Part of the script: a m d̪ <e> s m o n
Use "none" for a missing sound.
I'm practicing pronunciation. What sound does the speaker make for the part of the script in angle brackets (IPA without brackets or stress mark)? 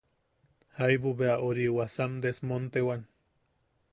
e